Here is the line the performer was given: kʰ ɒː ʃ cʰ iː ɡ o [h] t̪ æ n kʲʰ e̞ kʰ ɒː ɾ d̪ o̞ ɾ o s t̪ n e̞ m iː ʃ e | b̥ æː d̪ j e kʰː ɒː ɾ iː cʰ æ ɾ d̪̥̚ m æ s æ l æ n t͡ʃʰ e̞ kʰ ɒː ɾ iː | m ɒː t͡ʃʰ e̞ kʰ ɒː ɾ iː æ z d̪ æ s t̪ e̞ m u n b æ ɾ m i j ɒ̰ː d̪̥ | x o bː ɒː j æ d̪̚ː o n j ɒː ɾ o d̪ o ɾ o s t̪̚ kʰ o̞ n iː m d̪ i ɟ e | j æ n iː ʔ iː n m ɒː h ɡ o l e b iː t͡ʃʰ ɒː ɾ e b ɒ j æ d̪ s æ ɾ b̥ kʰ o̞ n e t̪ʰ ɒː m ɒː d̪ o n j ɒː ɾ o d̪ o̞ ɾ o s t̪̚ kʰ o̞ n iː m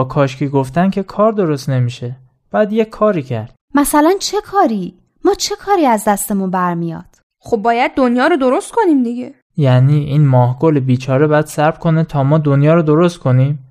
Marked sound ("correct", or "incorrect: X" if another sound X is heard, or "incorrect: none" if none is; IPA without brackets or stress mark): incorrect: f